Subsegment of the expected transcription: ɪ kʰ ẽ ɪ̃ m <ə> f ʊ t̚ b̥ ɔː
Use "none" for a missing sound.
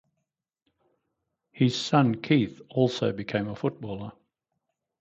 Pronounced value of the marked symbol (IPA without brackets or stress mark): ə